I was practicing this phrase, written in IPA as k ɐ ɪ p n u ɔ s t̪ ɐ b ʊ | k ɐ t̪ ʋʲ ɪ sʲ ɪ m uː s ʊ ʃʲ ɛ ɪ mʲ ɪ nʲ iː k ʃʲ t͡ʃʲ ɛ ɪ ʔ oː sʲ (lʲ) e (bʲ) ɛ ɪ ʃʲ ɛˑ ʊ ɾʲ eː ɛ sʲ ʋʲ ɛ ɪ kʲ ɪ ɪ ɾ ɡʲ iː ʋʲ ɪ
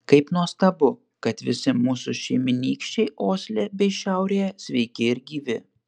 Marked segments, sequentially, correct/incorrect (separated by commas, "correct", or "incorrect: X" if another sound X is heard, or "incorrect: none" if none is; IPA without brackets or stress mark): correct, correct